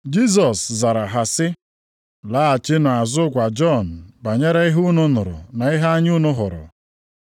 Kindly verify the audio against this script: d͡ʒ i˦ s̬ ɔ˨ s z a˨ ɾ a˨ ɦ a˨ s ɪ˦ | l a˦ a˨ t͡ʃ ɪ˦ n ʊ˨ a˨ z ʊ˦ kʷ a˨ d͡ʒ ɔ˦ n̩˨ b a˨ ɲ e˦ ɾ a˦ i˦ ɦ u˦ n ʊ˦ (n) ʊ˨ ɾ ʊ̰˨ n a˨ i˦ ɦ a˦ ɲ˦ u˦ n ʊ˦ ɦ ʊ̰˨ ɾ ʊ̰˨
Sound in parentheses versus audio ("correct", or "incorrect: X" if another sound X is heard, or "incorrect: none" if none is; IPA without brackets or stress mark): correct